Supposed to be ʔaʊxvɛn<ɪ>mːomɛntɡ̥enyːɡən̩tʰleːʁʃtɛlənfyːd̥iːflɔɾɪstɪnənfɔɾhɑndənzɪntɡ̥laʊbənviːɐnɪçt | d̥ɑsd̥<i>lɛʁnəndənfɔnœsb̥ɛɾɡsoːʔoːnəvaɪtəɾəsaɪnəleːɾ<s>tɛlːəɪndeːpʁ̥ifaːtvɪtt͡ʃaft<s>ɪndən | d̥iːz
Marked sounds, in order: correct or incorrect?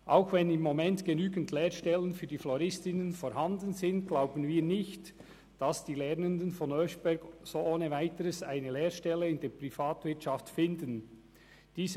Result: correct, incorrect: iː, incorrect: ʃ, incorrect: f

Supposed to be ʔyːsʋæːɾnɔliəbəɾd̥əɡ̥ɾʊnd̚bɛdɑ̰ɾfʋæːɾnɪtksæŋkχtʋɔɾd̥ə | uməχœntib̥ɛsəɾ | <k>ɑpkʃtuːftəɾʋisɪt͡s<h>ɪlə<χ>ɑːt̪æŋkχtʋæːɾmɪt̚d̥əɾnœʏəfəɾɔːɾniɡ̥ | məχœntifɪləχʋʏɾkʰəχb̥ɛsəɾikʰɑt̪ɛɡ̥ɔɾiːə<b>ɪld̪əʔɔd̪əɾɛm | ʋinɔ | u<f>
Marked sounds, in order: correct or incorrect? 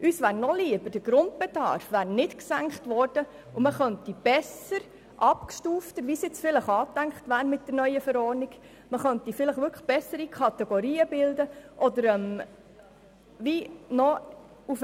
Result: incorrect: ʔ, incorrect: f, correct, correct, correct

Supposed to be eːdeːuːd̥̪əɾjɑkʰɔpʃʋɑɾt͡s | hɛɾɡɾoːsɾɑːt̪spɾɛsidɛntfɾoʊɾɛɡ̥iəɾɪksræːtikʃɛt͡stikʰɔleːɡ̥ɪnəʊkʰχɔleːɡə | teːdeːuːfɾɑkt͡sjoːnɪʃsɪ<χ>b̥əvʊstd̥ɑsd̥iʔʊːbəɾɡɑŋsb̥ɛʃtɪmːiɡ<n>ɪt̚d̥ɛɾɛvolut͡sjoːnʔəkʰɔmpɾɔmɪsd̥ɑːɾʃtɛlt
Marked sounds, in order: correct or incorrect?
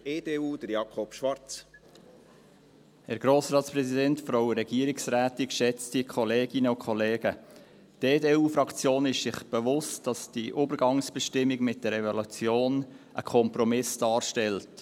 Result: correct, incorrect: m

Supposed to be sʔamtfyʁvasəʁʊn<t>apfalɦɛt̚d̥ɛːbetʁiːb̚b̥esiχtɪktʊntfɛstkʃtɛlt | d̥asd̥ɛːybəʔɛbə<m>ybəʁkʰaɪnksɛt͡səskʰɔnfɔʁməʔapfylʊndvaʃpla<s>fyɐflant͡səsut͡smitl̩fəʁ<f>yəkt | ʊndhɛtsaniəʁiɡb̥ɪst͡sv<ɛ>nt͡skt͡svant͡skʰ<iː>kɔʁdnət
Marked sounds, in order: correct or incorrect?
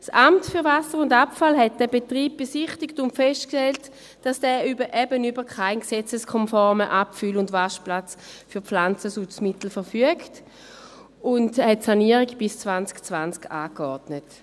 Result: incorrect: d, incorrect: n, incorrect: t͡s, correct, incorrect: a, incorrect: aː

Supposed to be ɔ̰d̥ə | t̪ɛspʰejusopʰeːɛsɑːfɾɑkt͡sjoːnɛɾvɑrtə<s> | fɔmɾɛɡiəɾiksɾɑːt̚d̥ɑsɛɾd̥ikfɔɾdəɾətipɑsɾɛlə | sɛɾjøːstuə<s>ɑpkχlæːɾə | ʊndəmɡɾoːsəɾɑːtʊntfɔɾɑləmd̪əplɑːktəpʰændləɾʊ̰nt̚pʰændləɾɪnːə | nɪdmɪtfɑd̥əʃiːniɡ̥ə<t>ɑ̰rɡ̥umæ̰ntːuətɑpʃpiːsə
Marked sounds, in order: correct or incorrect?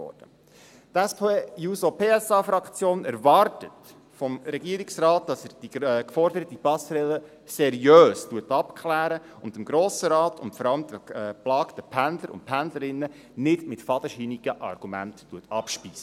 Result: incorrect: t, incorrect: t, incorrect: ʔ

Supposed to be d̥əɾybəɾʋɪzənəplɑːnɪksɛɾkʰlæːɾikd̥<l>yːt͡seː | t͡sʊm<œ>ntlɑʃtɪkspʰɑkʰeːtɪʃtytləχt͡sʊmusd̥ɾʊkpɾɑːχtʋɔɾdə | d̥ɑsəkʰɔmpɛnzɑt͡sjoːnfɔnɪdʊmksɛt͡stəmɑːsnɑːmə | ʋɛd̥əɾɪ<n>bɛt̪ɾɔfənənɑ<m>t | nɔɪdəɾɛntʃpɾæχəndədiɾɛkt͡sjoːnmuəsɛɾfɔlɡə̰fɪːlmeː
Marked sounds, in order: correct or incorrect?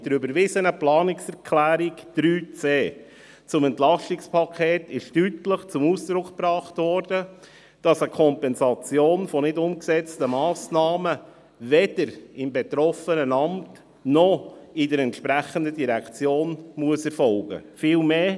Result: incorrect: ɾ, incorrect: ɛ, incorrect: m, correct

